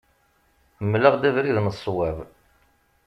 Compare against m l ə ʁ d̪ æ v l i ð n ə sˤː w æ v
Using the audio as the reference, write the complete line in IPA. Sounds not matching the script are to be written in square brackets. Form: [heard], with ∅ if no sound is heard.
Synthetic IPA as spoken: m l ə ʁ d̪ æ v [ɾ] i ð n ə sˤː w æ v